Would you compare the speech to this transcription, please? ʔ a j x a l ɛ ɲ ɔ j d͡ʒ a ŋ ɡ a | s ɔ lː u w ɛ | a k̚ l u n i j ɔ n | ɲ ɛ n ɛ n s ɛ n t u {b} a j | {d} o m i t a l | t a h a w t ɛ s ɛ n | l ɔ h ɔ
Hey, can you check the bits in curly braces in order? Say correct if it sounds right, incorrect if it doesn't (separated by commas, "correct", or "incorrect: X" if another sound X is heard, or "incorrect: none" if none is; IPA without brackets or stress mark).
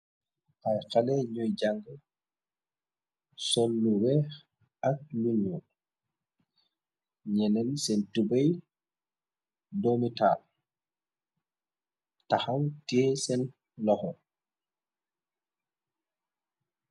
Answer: correct, correct